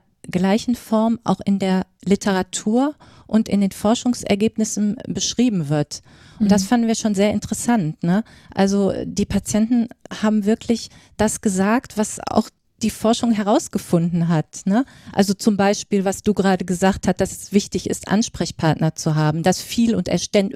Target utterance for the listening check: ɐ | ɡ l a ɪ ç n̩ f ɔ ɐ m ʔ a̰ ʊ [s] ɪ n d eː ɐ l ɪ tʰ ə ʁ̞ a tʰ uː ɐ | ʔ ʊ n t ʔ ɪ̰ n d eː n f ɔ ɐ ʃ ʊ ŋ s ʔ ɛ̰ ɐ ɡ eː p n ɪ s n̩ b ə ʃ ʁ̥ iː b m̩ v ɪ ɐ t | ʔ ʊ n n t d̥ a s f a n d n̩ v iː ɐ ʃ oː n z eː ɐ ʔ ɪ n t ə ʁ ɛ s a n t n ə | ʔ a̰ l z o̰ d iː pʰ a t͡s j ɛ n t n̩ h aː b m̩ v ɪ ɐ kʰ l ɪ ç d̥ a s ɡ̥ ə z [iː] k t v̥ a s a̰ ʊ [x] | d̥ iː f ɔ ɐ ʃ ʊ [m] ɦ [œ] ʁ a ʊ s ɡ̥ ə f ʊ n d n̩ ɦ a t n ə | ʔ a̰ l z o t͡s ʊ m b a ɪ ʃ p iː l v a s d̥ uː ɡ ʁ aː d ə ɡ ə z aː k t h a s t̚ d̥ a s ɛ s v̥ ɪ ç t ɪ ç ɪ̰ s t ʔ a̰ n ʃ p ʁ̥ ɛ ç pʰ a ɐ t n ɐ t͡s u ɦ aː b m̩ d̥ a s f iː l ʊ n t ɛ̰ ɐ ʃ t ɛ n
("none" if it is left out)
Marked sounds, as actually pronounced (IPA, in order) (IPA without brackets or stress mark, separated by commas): x, aː, x, ŋ, ɛ